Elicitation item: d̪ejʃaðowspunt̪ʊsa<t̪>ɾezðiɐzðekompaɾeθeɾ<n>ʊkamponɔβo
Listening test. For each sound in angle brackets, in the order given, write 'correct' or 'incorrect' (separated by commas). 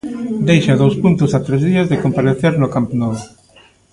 correct, correct